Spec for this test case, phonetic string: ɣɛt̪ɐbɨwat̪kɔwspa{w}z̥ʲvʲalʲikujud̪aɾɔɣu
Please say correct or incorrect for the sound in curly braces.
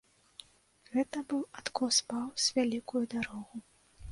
correct